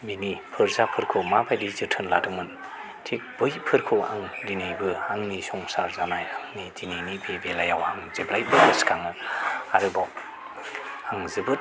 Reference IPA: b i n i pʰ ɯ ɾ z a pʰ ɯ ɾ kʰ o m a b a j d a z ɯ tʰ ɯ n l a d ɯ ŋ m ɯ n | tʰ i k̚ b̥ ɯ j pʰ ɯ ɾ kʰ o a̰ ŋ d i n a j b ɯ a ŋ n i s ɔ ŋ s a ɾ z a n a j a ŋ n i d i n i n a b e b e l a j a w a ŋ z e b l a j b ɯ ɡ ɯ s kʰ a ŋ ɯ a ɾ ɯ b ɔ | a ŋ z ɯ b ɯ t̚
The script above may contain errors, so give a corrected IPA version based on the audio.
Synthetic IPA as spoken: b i n i pʰ ɯ ɾ z a pʰ ɯ ɾ kʰ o m a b a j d i z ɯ tʰ ɯ n l a d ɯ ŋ m ɯ n | tʰ i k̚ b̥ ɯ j pʰ ɯ ɾ kʰ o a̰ ŋ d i n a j b ɯ a ŋ n i s ɔ ŋ s a ɾ z a n a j a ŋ n i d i n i n i b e b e l a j a w a ŋ z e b l a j b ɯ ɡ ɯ s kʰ a ŋ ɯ a ɾ ɯ b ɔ | a ŋ z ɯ b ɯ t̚